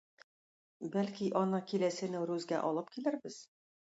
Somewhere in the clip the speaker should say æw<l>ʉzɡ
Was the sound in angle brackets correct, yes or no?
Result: no